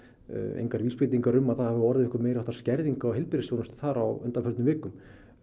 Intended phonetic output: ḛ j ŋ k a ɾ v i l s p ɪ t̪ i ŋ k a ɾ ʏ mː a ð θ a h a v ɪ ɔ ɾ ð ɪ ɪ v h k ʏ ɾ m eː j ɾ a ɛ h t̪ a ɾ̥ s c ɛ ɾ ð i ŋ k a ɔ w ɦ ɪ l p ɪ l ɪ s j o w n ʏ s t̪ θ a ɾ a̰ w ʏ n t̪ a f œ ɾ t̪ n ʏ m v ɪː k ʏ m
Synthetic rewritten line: ḛ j ŋ k a ɾ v i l s p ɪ t̪ i ŋ k a ɾ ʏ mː a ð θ a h a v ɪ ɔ ɾ ð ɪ ɪ h k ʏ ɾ m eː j ɾ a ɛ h t̪ a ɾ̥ s c ɛ ɾ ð i ŋ k a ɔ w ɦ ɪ l p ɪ ɾ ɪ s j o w n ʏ s t̪ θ a ɾ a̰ w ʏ n t̪ a f œ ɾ t̪ n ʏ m v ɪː k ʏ m